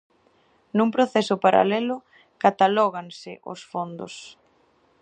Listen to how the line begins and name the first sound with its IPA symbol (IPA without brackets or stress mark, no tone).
n